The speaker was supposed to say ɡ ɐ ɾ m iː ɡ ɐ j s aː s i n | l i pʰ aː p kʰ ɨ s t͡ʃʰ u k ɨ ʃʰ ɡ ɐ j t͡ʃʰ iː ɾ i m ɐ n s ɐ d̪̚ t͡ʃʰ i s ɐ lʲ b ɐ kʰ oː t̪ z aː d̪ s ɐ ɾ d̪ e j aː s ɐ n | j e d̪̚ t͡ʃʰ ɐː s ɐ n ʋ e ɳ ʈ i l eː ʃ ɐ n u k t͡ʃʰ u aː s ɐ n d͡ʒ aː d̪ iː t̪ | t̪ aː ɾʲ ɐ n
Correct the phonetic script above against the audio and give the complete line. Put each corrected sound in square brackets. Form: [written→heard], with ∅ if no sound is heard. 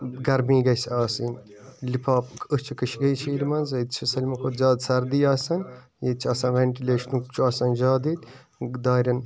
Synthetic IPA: ɡ ɐ ɾ m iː ɡ ɐ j s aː s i n | l i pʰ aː p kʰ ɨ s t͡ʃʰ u k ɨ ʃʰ ɡ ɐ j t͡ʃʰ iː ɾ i m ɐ n [s→z] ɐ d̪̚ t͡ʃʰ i s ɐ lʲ [b→m] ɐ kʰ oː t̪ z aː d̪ s ɐ ɾ d̪ [e→i] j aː s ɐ n | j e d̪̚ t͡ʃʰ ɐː s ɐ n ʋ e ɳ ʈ i l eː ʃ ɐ n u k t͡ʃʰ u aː s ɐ n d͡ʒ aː d̪ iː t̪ | [t̪→d̪] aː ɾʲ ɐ n

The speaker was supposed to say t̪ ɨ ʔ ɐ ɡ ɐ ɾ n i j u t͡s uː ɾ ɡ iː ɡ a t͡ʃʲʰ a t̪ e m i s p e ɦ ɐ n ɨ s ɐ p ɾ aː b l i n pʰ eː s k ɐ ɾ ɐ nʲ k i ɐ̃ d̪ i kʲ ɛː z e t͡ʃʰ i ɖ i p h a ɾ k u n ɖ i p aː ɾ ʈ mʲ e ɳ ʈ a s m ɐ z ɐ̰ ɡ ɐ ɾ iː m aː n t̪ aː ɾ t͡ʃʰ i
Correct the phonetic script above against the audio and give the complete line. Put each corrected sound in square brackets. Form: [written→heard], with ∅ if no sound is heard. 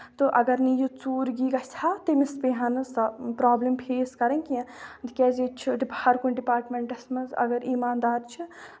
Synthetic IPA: t̪ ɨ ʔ ɐ ɡ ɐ ɾ n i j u t͡s uː ɾ ɡ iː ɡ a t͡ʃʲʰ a t̪ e m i s p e ɦ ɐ n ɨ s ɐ p ɾ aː b l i [n→m] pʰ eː s k ɐ ɾ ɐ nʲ k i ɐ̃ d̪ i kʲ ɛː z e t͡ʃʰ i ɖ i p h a ɾ k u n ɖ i p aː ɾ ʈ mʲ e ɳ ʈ [a→ɐ] s m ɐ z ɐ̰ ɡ ɐ ɾ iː m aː n [t̪→d̪] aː ɾ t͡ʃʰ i

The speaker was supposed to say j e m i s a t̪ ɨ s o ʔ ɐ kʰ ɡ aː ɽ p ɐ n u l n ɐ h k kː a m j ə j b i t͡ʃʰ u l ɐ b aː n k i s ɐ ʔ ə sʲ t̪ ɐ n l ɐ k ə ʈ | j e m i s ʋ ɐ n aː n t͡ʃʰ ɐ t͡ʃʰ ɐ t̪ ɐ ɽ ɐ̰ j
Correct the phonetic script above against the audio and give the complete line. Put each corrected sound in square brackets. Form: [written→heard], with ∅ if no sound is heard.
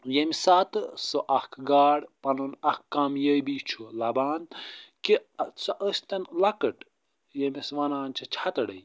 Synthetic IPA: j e m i s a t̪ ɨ s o ʔ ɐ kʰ ɡ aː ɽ p ɐ n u [l→∅] n ɐ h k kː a m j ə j b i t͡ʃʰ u l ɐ b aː n k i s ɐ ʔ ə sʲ t̪ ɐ n l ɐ k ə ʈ | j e m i s ʋ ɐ n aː n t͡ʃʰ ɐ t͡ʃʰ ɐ t̪ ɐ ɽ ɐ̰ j

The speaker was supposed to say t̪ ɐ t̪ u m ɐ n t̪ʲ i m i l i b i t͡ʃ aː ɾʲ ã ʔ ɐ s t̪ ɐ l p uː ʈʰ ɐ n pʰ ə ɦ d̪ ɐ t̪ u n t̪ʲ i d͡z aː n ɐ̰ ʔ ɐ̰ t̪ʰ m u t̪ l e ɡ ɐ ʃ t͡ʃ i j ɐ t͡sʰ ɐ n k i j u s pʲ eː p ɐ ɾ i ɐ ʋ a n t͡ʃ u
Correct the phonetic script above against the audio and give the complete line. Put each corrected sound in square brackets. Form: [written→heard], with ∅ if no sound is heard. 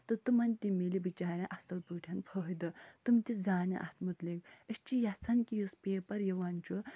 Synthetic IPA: t̪ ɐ t̪ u m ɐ n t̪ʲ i m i l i b i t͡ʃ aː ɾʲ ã ʔ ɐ s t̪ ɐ l p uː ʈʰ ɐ n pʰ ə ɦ d̪ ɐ t̪ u [n→m] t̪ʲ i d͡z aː n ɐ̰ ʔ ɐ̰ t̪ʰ m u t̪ l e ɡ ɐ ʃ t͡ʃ i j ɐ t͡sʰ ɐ n k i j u s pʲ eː p ɐ ɾ [i→j] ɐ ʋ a n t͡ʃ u

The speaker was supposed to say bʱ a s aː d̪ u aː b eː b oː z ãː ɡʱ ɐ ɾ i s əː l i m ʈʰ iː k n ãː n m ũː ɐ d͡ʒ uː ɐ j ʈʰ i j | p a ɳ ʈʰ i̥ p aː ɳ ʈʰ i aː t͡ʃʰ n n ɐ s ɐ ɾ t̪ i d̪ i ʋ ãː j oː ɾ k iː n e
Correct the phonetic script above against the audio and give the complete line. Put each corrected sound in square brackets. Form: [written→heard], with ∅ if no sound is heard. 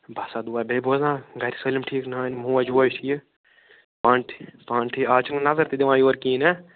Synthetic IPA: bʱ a s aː d̪ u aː b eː b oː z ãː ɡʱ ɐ ɾ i s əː l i m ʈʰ iː k n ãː n m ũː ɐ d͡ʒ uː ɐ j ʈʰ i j | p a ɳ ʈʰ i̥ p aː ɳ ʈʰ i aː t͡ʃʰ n n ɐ [s→z] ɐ ɾ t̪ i d̪ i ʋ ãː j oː ɾ k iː n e

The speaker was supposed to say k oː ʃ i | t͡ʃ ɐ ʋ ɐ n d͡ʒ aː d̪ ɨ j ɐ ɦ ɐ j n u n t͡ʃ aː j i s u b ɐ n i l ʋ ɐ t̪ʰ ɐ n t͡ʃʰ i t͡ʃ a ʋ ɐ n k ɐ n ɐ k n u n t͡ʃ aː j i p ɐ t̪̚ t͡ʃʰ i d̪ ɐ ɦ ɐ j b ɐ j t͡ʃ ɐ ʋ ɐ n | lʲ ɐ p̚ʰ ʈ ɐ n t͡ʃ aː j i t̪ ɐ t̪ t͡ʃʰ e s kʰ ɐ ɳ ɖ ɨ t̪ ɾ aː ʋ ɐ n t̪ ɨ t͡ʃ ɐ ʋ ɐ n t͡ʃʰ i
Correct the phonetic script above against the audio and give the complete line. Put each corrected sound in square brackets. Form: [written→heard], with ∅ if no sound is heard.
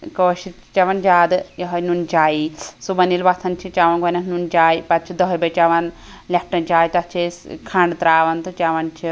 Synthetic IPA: k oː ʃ i | t͡ʃ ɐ ʋ ɐ n d͡ʒ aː d̪ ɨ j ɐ ɦ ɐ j n u n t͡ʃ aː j i s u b ɐ n i l ʋ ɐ t̪ʰ ɐ n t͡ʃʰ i t͡ʃ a ʋ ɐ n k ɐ n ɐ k n u n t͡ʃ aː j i p ɐ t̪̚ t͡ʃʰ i d̪ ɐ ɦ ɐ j b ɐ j t͡ʃ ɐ ʋ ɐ n | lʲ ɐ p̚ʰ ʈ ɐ n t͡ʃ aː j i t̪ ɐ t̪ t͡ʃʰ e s kʰ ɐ ɳ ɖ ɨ t̪ ɾ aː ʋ ɐ n t̪ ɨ t͡ʃ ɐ ʋ ɐ n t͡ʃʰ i

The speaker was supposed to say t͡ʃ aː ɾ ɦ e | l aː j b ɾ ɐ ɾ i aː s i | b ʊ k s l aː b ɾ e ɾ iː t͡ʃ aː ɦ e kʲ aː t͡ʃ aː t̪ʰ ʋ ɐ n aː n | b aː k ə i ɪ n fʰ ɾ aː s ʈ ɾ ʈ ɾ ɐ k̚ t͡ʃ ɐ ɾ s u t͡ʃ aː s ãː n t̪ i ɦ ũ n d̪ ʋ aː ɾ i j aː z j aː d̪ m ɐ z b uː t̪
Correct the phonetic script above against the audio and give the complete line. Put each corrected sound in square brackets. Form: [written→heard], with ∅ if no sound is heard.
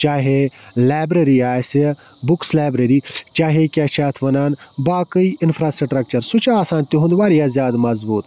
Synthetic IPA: t͡ʃ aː [ɾ→∅] ɦ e | l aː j b ɾ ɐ ɾ i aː s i | b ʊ k s l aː b ɾ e ɾ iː t͡ʃ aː ɦ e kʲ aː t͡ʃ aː t̪ʰ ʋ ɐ n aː n | b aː k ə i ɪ n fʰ ɾ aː s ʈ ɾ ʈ ɾ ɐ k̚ t͡ʃ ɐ ɾ s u t͡ʃ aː s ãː n t̪ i ɦ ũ n d̪ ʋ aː ɾ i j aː z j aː d̪ m ɐ z b uː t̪

